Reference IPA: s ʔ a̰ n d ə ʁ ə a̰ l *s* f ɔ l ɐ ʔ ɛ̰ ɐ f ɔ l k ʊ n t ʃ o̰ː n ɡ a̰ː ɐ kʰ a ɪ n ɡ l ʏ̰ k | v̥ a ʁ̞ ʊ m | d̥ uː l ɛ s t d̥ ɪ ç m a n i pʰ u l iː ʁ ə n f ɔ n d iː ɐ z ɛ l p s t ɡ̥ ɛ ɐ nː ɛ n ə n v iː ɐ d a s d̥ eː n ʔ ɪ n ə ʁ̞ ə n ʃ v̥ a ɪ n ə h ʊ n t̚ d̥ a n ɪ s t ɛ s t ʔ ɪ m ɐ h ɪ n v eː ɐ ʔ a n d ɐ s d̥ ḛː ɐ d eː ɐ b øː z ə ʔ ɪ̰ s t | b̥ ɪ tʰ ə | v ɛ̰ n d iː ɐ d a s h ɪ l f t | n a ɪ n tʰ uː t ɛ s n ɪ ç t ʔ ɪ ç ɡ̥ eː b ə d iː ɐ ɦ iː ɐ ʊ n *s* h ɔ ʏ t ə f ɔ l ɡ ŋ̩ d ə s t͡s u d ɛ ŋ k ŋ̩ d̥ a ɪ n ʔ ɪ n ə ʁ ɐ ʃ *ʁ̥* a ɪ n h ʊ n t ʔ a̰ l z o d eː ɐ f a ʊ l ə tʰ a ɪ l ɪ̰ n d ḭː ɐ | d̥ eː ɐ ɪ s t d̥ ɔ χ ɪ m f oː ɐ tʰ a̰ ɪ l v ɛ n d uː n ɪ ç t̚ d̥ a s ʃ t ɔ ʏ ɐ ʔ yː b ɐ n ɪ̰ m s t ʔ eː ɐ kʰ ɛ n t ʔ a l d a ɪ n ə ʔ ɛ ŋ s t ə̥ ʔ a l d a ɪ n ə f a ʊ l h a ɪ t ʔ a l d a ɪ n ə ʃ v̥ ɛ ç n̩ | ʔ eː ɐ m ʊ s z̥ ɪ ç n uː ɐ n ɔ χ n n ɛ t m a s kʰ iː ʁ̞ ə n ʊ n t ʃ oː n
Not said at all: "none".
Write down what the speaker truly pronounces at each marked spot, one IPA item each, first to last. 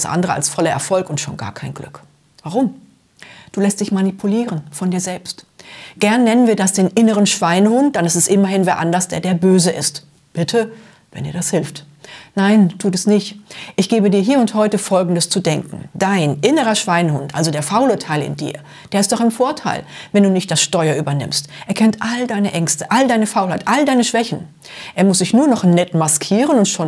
s, t, v̥

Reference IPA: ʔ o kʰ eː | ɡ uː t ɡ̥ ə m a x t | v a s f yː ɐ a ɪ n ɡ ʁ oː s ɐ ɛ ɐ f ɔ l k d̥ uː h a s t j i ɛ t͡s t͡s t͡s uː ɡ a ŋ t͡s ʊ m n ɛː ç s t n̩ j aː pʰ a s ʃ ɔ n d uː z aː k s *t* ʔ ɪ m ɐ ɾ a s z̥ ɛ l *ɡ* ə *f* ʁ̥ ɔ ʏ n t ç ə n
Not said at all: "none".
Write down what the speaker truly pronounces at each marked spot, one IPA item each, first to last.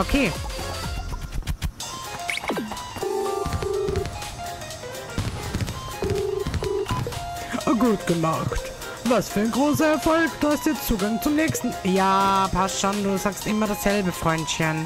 t, b, f

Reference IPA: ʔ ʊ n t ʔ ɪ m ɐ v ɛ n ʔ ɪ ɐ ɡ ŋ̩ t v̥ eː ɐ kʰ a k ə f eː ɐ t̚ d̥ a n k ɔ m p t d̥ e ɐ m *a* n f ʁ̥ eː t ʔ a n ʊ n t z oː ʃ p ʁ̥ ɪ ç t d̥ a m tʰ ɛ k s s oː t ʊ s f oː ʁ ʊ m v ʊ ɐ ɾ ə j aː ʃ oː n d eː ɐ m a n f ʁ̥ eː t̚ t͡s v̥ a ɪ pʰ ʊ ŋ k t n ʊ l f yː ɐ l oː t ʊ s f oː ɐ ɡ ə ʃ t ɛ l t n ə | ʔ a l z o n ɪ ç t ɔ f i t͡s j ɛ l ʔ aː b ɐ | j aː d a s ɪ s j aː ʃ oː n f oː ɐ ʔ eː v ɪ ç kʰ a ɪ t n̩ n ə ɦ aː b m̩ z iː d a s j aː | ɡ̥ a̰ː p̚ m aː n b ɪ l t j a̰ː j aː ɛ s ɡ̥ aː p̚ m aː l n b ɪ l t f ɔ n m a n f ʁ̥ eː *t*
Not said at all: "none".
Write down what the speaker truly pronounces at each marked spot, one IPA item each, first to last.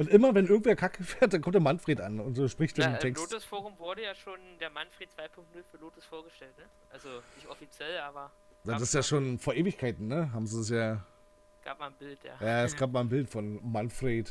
a, t

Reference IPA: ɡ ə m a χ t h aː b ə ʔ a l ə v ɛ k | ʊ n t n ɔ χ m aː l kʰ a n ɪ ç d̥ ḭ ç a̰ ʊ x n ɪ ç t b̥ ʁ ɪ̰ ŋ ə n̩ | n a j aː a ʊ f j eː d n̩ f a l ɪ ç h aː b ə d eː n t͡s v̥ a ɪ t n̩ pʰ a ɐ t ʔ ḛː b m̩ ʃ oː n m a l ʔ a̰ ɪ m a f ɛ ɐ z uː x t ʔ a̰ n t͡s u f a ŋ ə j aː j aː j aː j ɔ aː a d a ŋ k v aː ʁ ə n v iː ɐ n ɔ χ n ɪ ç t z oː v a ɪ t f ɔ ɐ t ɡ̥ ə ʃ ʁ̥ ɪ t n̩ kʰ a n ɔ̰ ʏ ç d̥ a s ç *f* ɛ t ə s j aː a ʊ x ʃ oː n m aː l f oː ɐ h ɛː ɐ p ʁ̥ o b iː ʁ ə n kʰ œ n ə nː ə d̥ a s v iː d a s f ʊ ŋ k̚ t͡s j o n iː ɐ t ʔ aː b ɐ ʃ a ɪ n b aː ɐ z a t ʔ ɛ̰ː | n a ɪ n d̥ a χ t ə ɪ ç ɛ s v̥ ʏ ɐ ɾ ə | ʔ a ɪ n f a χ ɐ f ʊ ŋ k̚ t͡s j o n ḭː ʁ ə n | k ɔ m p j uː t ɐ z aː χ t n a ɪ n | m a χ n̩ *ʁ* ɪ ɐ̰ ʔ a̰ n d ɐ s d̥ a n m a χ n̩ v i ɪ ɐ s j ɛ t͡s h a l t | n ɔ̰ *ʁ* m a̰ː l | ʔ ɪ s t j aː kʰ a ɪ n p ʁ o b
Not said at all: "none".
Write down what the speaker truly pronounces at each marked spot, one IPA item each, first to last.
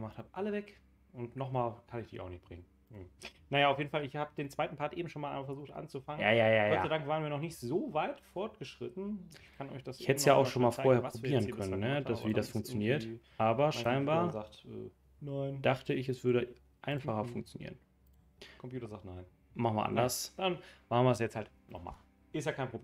h, v, χ

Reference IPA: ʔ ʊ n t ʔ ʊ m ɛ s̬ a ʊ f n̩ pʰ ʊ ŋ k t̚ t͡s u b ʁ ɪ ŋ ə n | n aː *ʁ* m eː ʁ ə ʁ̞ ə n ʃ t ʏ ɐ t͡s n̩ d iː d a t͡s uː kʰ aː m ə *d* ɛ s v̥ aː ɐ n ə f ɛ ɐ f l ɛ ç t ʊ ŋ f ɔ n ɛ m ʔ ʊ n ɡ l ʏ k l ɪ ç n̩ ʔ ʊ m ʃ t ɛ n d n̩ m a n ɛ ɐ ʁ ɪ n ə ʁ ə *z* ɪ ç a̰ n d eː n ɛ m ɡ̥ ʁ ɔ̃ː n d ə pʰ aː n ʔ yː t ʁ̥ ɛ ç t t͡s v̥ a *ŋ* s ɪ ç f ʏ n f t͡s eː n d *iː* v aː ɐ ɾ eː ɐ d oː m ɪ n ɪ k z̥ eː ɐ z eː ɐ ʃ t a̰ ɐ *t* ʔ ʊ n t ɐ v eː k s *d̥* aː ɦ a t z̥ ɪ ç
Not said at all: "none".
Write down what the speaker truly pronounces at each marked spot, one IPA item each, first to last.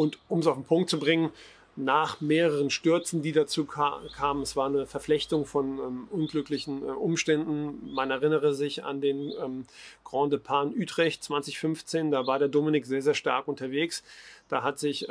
χ, n, z, n, aː, k, d̥

